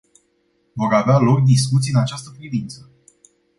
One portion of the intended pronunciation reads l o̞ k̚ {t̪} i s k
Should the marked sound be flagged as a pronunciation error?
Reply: yes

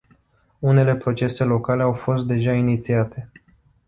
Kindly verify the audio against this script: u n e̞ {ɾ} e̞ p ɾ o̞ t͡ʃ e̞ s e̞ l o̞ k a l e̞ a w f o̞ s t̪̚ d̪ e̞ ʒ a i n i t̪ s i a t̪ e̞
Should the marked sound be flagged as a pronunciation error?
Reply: yes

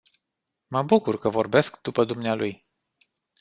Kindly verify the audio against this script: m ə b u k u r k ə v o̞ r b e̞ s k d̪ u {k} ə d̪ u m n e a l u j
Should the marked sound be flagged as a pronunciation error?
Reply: yes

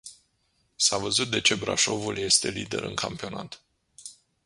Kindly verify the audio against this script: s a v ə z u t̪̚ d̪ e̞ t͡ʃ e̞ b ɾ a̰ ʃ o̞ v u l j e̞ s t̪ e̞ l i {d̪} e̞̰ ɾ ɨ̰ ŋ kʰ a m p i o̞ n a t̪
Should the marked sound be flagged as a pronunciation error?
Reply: no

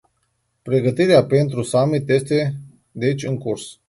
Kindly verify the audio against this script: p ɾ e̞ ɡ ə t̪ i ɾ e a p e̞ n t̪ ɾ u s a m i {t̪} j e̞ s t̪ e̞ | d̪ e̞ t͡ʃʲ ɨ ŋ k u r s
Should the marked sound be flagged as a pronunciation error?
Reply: no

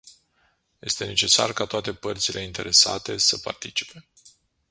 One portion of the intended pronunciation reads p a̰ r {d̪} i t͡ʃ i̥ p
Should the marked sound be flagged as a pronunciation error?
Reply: yes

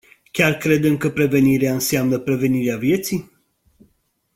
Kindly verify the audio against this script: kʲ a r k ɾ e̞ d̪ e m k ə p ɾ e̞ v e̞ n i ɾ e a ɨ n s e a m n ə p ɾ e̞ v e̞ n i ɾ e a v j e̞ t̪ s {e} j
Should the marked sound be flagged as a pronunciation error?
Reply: yes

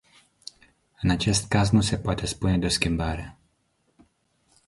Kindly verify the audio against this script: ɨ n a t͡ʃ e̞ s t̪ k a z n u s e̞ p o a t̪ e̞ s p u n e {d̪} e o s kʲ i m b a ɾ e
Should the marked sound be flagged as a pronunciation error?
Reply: no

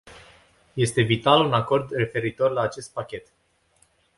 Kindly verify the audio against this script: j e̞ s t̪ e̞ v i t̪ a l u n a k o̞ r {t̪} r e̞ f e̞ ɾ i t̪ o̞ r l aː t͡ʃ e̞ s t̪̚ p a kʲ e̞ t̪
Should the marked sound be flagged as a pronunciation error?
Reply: yes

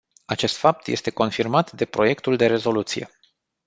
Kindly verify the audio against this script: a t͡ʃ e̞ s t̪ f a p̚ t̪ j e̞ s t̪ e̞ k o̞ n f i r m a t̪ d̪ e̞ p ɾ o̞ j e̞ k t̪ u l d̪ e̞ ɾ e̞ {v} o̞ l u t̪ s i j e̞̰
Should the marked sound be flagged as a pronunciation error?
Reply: yes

